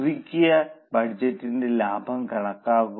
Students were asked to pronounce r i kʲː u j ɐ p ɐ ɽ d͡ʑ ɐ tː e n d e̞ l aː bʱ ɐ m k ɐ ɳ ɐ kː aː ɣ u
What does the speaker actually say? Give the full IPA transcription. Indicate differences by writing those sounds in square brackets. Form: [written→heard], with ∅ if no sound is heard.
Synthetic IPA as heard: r i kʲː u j ɐ [p→b] ɐ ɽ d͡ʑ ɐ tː [e→i] n d e̞ l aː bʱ ɐ m k ɐ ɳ ɐ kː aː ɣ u